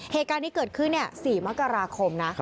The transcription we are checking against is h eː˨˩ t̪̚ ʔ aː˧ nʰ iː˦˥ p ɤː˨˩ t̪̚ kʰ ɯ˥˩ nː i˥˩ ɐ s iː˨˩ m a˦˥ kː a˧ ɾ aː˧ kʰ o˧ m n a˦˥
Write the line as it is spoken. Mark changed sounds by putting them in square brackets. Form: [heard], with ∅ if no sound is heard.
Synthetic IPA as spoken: h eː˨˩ t̪̚ [k] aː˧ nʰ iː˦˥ [k] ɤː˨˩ t̪̚ kʰ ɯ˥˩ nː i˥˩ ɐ s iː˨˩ m a˦˥ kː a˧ ɾ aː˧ kʰ o˧ m n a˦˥